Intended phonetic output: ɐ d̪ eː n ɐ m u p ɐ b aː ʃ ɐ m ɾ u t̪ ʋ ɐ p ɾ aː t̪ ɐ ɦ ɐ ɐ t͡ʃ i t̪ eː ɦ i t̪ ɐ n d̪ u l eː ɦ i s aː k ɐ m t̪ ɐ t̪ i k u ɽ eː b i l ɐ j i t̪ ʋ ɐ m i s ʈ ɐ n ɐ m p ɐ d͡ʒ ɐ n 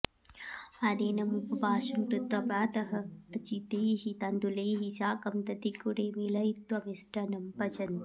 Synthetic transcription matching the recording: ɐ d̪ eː n ɐ m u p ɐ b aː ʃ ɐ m ɾ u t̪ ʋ ɐ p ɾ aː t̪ ɐ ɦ ɐ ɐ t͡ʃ i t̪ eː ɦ i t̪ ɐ n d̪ u l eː ɦ i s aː k ɐ m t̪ ɐ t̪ i k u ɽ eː m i l ɐ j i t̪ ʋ ɐ m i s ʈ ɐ n ɐ m p ɐ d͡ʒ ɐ n

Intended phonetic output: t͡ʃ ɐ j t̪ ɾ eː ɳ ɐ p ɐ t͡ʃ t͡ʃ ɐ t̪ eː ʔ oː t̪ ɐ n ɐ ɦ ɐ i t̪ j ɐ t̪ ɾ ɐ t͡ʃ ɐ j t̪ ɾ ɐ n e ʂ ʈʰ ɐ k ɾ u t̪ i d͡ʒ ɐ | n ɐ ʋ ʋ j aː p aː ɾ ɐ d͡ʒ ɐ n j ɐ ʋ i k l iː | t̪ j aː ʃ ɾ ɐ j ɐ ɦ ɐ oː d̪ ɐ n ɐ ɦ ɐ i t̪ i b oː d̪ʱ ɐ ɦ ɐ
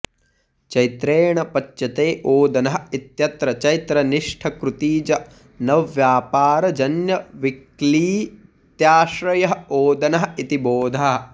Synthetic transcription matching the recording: t͡ʃ ɐ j t̪ ɾ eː ɳ ɐ p ɐ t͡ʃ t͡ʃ ɐ t̪ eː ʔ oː d̪ ɐ n ɐ ɦ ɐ i t̪ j ɐ t̪ ɾ ɐ t͡ʃ ɐ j t̪ ɾ ɐ n i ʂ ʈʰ ɐ k ɾ u t̪ iː d͡ʒ ɐ | n ɐ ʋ ʋ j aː p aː ɾ ɐ d͡ʒ ɐ n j ɐ ʋ i k l iː | t̪ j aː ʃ ɾ ɐ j ɐ ɦ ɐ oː d̪ ɐ n ɐ ɦ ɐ i t̪ i b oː d̪ʱ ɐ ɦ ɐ

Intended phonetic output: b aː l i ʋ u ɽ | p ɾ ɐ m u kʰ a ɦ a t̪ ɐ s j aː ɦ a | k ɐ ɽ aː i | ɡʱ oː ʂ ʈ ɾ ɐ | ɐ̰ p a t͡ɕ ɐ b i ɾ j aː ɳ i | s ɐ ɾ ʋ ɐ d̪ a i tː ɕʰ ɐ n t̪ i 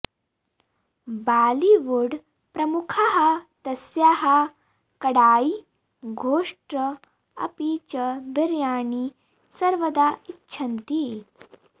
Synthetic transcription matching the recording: b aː l i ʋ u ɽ | p ɾ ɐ m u kʰ a ɦ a t̪ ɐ s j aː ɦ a | k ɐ ɽ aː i | ɡʱ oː ʂ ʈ ɾ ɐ | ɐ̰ p i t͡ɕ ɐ b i ɾ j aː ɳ i | s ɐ ɾ ʋ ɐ d̪ a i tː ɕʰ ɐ n t̪ i

